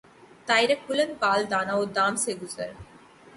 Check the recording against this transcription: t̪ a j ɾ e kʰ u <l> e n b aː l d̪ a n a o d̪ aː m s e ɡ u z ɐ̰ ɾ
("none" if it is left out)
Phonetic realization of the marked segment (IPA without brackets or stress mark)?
l